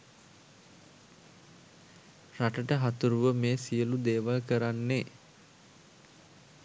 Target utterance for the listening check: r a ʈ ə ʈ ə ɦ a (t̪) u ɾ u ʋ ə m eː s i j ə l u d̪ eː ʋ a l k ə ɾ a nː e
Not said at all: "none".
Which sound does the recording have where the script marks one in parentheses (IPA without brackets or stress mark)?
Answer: t̪